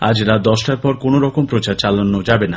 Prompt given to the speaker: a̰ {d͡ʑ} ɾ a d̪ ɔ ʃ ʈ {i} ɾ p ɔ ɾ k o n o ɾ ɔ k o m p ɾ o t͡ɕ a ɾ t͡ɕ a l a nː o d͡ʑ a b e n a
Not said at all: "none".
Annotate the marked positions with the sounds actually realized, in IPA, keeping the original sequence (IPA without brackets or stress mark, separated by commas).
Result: d͡ʑ, a